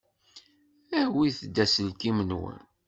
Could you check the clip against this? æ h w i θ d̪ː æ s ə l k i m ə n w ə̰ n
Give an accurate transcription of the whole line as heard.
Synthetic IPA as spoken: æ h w i θ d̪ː æ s ə l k i m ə n w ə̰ n